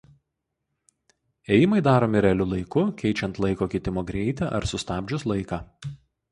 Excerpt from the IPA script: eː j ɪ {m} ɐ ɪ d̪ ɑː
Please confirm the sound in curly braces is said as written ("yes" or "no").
yes